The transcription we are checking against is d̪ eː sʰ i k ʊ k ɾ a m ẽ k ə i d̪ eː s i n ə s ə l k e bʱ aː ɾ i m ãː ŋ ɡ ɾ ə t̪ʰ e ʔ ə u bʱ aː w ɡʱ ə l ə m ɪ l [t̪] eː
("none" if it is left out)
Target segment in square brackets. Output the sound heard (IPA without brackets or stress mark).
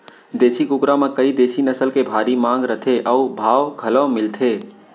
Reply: t̪ʰ